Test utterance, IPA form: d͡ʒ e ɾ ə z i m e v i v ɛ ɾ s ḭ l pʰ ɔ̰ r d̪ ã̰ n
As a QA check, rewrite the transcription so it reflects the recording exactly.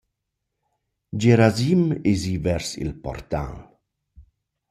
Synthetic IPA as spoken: d͡ʒ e ɾ a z i m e z i v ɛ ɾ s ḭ l p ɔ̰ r t̪ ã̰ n